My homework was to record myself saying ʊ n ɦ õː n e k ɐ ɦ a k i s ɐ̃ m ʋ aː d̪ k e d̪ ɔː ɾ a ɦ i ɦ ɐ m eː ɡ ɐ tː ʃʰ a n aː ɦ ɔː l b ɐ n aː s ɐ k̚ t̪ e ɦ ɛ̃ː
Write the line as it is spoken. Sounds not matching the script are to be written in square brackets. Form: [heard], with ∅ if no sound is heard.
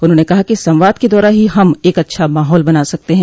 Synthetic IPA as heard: ʊ n ɦ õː n e k ɐ ɦ a k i s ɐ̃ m ʋ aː d̪ k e d̪ ɔː ɾ a ɦ i ɦ ɐ m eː [k] ɐ tː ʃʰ a [m] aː ɦ ɔː l b ɐ n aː s ɐ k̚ t̪ e ɦ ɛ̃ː